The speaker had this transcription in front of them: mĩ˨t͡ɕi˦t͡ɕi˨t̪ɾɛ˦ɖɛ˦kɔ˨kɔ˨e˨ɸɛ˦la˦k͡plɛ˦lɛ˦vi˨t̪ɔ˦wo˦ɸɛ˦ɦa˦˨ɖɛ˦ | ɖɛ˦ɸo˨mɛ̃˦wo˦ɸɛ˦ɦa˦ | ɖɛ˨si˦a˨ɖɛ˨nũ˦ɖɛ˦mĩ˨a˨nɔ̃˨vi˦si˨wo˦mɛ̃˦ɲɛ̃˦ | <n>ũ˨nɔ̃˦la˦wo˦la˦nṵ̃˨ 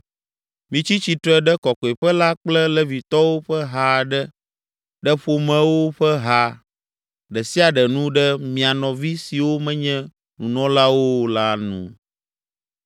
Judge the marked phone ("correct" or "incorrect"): correct